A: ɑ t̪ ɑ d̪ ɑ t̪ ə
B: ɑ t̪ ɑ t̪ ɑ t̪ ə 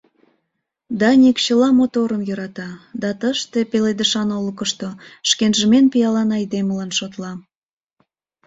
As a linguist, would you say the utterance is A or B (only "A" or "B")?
A